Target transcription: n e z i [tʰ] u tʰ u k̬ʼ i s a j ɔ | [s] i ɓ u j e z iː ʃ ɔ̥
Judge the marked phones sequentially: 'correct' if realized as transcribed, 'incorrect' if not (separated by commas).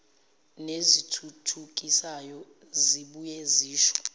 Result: correct, incorrect